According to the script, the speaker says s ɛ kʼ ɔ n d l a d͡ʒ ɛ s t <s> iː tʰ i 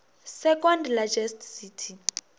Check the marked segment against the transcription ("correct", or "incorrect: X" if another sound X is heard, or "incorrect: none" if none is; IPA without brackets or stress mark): correct